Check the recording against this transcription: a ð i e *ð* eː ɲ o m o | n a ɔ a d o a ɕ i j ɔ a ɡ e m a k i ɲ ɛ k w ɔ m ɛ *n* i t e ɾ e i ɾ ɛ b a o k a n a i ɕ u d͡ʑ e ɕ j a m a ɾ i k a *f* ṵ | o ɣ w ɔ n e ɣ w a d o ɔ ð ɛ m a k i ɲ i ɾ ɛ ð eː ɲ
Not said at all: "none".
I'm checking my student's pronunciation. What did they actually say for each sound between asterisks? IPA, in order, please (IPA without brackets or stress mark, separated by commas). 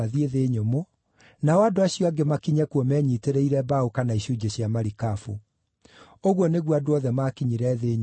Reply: ð, ɲ, f